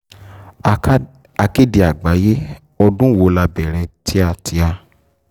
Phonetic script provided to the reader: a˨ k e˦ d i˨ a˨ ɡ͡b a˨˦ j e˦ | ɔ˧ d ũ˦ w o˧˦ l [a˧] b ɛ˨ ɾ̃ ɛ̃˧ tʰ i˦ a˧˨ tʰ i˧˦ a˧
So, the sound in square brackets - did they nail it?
yes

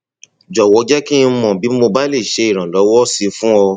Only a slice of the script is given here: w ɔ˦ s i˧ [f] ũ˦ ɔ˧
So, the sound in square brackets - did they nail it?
yes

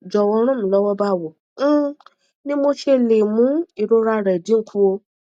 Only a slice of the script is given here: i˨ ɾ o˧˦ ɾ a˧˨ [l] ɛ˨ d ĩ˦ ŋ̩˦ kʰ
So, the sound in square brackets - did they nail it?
no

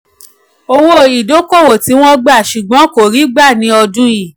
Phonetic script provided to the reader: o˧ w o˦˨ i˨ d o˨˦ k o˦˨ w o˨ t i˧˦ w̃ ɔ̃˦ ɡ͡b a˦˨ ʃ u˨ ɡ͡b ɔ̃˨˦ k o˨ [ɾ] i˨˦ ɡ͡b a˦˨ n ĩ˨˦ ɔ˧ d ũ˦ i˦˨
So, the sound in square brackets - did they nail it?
yes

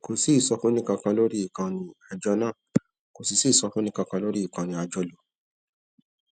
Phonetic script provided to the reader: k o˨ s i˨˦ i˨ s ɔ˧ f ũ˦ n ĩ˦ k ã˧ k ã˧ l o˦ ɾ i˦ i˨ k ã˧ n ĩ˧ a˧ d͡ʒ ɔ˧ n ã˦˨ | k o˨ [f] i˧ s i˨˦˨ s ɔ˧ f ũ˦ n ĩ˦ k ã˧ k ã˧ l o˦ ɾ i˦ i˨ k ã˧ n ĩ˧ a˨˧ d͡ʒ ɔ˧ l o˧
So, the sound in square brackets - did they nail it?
no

